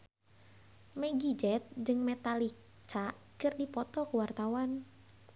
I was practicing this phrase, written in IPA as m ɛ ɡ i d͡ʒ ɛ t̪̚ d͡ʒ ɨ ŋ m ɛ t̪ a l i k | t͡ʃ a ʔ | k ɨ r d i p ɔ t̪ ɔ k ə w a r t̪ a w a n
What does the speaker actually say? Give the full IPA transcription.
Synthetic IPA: m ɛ ɡ i d͡ʒ ɛ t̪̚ d͡ʒ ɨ ŋ m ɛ t̪ a l i k | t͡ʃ a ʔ | k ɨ r d i p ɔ t̪ ɔ k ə w a r t̪ a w a n